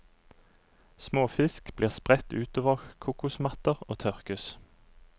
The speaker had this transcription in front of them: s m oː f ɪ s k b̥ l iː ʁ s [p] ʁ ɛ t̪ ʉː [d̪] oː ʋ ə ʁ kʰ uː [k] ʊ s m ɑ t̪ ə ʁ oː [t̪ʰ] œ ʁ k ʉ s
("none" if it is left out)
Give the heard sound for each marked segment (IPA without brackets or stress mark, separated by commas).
p, t̪, k, t̪ʰ